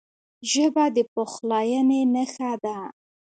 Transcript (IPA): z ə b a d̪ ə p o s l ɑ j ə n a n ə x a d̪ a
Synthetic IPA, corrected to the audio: ʒ ə b a d̪ ə p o x l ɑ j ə n e n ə x a d̪ a